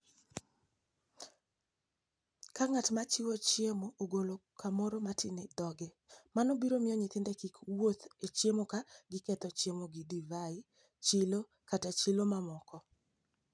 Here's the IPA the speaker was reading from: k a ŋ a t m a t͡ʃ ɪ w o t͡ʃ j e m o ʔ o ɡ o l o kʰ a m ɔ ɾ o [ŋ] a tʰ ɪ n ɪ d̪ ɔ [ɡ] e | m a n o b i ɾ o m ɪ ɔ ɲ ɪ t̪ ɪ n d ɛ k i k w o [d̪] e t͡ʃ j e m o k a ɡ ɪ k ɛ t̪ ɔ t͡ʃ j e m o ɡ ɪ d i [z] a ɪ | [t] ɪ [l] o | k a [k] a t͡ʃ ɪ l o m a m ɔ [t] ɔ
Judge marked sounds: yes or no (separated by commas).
no, yes, no, no, no, yes, no, no